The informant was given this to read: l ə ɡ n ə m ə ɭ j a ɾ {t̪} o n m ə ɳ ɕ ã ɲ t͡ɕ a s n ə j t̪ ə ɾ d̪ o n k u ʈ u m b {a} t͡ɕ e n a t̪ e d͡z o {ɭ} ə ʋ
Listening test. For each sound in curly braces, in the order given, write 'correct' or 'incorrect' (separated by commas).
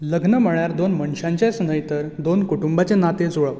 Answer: incorrect, correct, correct